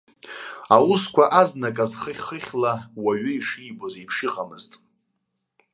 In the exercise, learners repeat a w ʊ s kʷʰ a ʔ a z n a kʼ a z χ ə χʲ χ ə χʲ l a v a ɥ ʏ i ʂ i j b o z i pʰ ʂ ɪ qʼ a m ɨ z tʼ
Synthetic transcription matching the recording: a w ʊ s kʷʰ a ʔ a z n a kʼ a z χ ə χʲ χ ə χʲ l a w a ɥ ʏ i ʂ i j b o z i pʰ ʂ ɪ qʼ a m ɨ z tʼ